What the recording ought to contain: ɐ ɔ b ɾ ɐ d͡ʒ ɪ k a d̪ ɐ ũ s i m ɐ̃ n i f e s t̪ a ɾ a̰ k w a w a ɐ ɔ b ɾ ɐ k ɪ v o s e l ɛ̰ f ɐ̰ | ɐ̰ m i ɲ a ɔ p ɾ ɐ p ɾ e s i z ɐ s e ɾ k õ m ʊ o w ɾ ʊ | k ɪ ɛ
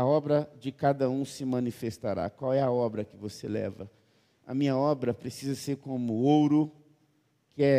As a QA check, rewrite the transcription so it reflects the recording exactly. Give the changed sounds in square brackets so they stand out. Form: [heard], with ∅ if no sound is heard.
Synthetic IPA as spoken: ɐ ɔ b ɾ ɐ d͡ʒ ɪ k a d̪ ɐ ũ s [ɪ] m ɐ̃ n i f e s t̪ a ɾ a̰ k w a w [ɛ] ɐ ɔ b ɾ ɐ k ɪ v o s e l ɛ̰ [v] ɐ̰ | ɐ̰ m [ĩ] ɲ [ɐ] ɔ [b] ɾ ɐ p ɾ e s i z ɐ s e ɾ k õ m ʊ o w ɾ ʊ | k ɪ ɛ